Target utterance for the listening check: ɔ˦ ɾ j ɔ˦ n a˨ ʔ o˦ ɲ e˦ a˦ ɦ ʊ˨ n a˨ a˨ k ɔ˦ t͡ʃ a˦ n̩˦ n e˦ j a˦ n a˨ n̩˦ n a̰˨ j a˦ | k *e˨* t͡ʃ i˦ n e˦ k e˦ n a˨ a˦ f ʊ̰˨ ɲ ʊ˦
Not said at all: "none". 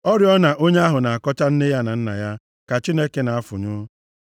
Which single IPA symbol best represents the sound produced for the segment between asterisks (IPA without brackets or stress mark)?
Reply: a˨